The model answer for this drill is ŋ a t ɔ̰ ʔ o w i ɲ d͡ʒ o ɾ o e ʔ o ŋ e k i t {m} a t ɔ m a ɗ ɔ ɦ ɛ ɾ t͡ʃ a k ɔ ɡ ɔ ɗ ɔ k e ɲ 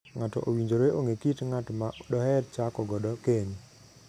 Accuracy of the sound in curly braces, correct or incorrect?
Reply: incorrect